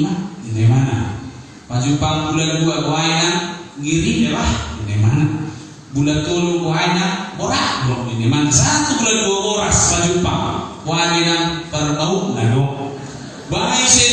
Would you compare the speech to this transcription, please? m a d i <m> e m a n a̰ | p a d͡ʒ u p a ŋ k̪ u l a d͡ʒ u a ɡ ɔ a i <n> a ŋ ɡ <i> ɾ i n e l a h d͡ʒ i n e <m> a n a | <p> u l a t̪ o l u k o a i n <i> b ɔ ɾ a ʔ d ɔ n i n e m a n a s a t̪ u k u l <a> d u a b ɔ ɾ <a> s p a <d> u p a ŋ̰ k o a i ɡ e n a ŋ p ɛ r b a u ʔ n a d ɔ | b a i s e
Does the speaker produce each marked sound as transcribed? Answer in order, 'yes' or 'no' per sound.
no, yes, yes, yes, no, no, yes, yes, no

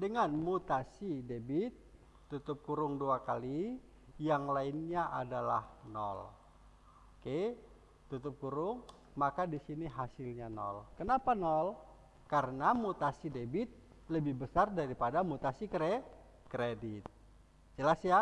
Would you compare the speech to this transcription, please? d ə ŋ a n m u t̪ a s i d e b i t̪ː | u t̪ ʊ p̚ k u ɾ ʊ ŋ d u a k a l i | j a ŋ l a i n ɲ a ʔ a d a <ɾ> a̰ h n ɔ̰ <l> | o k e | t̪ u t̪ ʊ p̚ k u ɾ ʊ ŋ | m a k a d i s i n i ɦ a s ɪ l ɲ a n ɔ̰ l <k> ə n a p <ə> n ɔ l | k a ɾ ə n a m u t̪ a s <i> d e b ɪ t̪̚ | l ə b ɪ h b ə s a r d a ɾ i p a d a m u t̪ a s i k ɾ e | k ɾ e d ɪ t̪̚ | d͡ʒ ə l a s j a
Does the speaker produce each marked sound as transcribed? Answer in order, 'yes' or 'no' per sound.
no, yes, yes, no, yes

